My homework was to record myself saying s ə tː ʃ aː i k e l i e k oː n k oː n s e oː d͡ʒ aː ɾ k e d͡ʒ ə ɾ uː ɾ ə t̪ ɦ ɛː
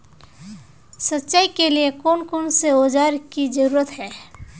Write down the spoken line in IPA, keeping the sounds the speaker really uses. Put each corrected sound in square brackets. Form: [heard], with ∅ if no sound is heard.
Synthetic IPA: s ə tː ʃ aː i k e l i e k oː n k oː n s e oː d͡ʒ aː ɾ k [i] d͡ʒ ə ɾ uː ɾ ə t̪ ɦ ɛː